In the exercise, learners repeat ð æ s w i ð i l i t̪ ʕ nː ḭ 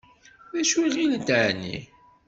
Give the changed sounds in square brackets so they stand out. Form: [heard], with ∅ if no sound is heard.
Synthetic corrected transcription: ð æ [ʃ] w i [ʁ] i l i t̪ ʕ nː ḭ